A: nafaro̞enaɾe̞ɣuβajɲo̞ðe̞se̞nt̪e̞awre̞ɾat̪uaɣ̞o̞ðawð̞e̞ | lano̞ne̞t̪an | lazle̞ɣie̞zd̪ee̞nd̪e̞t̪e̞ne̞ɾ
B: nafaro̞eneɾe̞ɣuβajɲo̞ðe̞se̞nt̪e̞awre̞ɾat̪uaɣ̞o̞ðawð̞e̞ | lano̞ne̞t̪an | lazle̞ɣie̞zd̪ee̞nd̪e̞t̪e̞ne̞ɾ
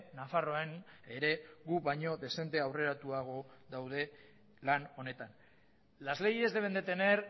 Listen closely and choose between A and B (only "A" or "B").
B